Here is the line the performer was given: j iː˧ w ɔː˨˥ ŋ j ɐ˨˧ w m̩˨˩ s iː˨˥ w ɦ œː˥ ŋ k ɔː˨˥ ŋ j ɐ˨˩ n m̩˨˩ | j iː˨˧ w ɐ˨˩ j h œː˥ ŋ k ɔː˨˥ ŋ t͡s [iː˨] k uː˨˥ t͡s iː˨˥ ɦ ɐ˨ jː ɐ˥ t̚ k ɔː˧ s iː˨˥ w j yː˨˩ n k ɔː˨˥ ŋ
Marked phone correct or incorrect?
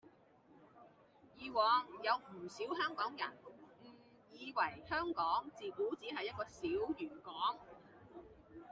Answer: correct